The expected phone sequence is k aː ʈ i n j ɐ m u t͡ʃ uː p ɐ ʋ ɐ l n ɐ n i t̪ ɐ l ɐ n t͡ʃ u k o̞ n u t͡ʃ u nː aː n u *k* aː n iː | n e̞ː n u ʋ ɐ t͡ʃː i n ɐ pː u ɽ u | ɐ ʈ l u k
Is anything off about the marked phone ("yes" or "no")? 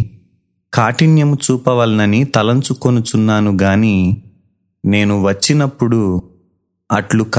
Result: yes